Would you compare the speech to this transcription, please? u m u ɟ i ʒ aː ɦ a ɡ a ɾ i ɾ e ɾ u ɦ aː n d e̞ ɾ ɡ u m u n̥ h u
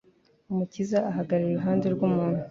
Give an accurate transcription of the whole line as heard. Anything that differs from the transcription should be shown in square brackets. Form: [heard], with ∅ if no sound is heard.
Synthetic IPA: u m u [c] i [z] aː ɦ a ɡ a ɾ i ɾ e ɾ u ɦ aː n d e̞ ɾ ɡ u m [uː] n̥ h u